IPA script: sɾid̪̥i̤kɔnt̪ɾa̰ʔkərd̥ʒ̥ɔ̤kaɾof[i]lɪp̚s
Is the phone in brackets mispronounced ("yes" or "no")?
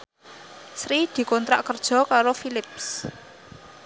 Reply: no